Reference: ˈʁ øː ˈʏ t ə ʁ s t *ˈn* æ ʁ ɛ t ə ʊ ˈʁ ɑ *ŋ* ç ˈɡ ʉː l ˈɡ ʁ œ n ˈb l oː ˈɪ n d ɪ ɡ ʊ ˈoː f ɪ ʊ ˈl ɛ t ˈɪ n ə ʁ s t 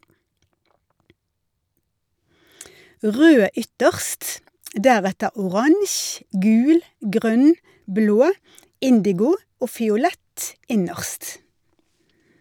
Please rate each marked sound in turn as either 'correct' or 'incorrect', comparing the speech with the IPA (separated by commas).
incorrect, correct